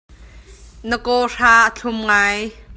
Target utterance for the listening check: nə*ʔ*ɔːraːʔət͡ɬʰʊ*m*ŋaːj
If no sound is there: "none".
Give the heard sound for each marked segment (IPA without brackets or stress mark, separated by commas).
k, m